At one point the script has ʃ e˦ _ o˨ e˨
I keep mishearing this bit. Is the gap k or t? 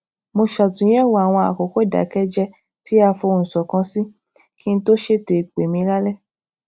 t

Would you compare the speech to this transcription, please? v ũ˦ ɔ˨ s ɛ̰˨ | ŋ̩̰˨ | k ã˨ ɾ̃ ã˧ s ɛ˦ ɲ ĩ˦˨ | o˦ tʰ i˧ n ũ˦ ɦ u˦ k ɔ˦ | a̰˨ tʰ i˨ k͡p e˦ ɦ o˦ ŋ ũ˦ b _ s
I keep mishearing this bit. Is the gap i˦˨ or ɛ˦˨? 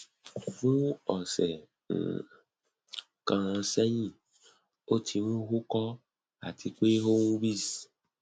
i˦˨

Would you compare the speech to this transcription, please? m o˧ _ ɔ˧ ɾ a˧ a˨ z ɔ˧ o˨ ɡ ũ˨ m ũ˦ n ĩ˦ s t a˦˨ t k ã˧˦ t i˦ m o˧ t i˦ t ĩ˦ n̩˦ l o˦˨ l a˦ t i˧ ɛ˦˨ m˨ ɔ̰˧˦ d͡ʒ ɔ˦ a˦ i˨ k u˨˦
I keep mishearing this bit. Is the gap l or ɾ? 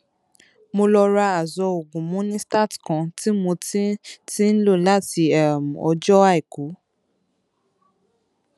l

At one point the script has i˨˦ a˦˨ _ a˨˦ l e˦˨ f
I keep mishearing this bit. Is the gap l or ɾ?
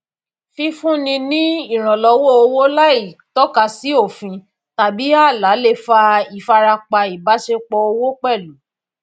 l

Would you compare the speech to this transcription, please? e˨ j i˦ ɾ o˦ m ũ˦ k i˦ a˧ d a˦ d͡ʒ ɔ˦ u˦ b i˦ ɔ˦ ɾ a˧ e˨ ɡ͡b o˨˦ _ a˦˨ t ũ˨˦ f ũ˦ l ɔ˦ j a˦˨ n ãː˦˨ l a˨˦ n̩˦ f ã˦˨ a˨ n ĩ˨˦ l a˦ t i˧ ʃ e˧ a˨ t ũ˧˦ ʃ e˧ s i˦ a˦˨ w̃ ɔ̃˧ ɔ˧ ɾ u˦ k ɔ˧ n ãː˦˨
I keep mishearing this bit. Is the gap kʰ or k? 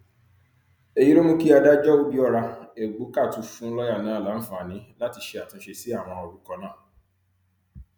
k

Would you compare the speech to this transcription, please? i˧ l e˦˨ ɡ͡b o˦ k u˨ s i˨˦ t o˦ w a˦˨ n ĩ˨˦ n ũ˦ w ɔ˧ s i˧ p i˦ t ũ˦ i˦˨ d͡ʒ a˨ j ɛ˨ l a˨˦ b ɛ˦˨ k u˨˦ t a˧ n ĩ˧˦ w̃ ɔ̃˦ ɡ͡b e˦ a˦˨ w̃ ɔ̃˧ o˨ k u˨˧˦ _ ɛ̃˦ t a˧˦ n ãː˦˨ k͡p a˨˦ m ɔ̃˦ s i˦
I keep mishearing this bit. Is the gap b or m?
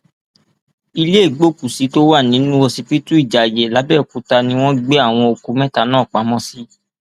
m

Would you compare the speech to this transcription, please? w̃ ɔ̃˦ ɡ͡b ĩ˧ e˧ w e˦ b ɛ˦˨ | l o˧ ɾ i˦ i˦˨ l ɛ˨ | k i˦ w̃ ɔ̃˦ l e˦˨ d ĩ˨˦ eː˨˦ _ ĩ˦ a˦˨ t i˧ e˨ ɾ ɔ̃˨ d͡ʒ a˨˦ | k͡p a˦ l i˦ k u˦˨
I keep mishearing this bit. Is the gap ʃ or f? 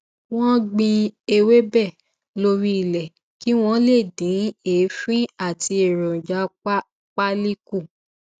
f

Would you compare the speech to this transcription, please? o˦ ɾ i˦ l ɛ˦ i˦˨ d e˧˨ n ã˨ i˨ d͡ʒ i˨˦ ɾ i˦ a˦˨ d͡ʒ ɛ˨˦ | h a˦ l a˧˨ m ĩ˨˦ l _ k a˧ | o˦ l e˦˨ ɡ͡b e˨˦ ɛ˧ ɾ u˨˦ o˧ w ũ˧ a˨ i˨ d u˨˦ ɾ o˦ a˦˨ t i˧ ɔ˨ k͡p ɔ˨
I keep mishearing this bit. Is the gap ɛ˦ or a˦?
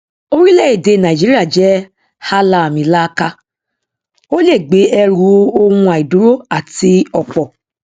a˦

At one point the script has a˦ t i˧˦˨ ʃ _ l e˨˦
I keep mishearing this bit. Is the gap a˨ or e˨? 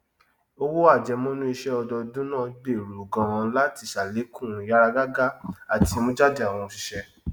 a˨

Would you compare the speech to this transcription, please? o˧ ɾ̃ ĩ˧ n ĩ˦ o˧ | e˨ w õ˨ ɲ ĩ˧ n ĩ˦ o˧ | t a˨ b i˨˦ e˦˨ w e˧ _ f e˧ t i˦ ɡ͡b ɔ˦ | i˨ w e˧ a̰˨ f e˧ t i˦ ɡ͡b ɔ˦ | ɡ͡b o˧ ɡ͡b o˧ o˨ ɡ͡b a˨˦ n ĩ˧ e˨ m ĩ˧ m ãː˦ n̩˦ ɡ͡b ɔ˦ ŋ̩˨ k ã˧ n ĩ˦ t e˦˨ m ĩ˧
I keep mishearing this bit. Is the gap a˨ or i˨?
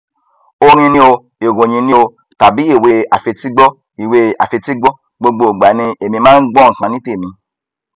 a˨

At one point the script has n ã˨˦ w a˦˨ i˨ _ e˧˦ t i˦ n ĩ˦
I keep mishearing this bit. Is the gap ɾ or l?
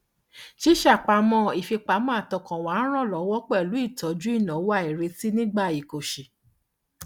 ɾ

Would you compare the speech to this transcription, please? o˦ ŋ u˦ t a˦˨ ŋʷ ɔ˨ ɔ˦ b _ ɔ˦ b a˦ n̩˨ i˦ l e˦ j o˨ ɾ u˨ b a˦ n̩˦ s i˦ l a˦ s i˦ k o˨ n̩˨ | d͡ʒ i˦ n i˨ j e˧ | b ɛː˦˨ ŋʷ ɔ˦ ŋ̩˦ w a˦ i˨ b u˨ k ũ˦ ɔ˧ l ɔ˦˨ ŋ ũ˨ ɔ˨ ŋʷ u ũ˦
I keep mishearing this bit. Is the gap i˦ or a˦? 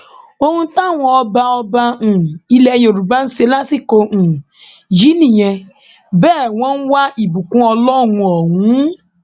a˦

